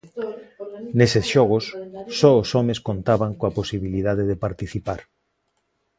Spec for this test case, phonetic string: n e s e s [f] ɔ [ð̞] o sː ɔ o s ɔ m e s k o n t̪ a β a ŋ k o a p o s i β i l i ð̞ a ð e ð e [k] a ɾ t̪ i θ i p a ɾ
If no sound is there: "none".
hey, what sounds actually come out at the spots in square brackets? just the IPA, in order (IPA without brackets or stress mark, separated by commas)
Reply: ʃ, ɣ̞, p